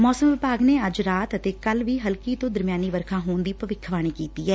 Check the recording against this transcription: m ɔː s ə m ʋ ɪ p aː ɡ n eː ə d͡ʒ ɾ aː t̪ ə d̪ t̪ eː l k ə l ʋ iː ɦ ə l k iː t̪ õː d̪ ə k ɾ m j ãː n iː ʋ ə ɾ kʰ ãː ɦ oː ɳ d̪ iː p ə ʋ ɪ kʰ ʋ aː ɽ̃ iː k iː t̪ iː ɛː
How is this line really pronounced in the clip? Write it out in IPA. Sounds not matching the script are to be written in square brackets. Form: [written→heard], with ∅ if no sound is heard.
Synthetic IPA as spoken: m ɔː s ə m ʋ ɪ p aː ɡ n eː ə d͡ʒ ɾ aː t̪ ə [d̪→∅] t̪ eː [l→∅] k ə l ʋ iː ɦ ə l k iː t̪ õː d̪ ə [k→∅] ɾ m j [ãː→aː] n iː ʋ ə ɾ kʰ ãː ɦ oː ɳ d̪ iː p ə ʋ ɪ kʰ ʋ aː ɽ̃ iː k iː t̪ iː ɛː